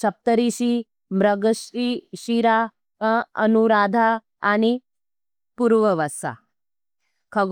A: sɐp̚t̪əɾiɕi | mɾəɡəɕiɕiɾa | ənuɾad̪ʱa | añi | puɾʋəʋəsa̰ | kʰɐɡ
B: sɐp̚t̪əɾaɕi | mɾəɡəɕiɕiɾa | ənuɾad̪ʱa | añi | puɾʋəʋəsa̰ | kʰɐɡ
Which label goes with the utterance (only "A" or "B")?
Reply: A